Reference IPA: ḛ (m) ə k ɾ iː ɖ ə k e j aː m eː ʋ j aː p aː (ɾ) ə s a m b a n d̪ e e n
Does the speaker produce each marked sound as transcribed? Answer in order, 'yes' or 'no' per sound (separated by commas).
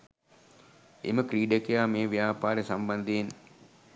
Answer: yes, yes